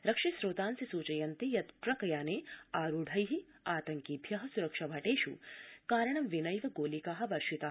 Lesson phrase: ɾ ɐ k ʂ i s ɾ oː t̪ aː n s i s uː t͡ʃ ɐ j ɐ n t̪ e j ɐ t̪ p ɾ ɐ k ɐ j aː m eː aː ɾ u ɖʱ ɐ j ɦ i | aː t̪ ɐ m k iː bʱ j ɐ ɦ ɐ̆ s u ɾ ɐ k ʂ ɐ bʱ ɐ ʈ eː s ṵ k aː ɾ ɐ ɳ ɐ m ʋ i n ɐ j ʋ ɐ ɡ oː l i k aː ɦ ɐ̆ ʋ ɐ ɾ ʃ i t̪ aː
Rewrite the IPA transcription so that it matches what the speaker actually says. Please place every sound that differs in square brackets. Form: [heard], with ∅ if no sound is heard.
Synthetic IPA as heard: ɾ ɐ k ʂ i s ɾ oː t̪ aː n s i s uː t͡ʃ ɐ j ɐ n t̪ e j ɐ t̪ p ɾ ɐ k ɐ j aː [n] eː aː ɾ u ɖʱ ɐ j ɦ i | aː t̪ ɐ [ŋ] k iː bʱ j ɐ ɦ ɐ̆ s u ɾ ɐ k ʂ ɐ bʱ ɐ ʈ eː [ʃ] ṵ k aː ɾ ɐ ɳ ɐ m ʋ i n ɐ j ʋ ɐ ɡ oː l i k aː ɦ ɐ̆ ʋ ɐ ɾ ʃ i t̪ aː